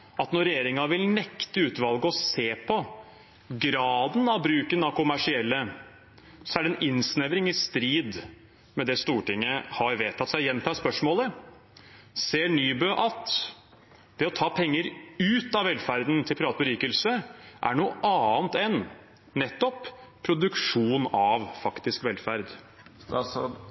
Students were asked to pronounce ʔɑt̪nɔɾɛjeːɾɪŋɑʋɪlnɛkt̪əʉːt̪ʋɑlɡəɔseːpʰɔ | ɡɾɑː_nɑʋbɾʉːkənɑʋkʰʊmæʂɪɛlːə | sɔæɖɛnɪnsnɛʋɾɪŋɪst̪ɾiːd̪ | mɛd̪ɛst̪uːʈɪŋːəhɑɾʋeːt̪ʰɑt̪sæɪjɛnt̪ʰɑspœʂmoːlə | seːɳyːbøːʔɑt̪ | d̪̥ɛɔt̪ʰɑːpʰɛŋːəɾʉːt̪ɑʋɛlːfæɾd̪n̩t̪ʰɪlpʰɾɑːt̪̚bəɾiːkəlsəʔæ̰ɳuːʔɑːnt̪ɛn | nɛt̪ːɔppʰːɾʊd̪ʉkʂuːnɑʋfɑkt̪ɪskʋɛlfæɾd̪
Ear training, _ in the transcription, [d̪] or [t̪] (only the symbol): d̪